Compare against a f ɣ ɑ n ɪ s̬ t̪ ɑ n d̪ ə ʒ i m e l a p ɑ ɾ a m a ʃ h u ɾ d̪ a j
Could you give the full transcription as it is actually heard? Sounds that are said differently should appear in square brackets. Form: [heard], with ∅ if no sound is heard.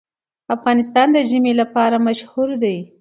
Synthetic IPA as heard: a f ɣ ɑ n ɪ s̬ t̪ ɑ n d̪ ə ʒ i m e l a p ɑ ɾ a m a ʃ h u ɾ d̪ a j

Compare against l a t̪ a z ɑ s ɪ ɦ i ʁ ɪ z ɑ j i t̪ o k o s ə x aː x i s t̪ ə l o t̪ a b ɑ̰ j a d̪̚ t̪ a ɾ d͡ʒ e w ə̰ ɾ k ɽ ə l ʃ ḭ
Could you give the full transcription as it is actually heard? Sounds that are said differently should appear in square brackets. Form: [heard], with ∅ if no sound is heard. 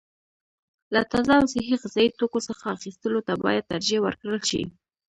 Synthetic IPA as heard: l a t̪ a z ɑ s ɪ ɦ i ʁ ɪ z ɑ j i t̪ o k o s ə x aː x i s t̪ ə l o t̪ a b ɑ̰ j a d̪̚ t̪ a ɾ d͡ʒ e w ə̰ ɾ k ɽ ə l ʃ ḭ

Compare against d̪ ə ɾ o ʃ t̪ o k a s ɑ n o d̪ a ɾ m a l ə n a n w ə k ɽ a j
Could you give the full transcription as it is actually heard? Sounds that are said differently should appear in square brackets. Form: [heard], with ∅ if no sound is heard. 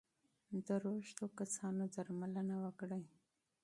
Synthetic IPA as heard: d̪ ə ɾ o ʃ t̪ o k a s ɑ n o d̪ a ɾ m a l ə n a [∅] w ə k ɽ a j

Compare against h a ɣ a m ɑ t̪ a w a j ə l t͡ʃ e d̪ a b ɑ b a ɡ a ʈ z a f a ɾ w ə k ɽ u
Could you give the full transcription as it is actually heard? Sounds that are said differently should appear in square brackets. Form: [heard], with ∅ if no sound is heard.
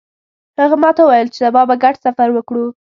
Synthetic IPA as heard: h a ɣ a m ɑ t̪ a w a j ə l t͡ʃ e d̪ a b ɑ b a ɡ a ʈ [s] a f a ɾ w ə k ɽ u

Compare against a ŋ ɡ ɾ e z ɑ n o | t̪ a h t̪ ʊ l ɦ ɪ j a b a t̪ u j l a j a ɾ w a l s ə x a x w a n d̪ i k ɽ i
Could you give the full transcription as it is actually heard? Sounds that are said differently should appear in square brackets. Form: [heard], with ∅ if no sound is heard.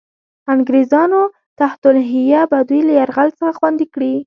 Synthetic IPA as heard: a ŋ ɡ ɾ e z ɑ n o | t̪ a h t̪ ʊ l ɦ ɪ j a b a [d̪] u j l a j a ɾ [ɣ] a l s ə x a x w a n d̪ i k ɽ i

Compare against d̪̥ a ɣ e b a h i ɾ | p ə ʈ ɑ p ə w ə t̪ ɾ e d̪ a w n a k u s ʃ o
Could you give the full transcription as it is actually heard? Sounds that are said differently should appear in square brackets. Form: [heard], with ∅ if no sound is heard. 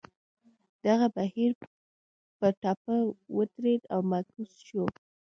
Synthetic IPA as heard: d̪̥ a ɣ [a] b a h i ɾ | p ə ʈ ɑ p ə w ə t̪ ɾ e d̪ a w [m] a k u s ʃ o

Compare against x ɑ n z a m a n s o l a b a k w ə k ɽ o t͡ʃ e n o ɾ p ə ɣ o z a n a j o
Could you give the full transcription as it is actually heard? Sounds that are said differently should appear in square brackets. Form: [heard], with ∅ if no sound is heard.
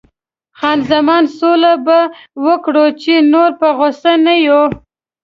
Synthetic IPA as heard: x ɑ n z a m [ɑ] n s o l a b a [∅] w ə k ɽ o t͡ʃ e n o ɾ p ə ɣ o [s] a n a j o

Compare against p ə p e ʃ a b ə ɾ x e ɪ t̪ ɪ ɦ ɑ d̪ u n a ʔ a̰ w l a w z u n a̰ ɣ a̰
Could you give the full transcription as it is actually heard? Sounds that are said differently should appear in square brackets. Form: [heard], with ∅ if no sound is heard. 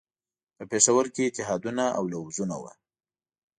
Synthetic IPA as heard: p ə p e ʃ a [w] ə ɾ [k] e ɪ t̪ ɪ ɦ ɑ d̪ u n a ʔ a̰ w l a w z u n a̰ [w] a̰

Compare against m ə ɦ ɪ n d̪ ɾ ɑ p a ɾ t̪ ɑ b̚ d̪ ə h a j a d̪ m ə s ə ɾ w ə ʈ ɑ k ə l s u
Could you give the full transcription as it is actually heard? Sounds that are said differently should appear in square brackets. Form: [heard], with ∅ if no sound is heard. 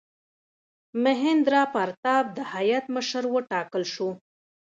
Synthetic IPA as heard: m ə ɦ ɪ n d̪ ɾ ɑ p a ɾ t̪ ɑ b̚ d̪ ə h a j a [t̪] m ə [ʃ] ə ɾ w ə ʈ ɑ k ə l [ʃ] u

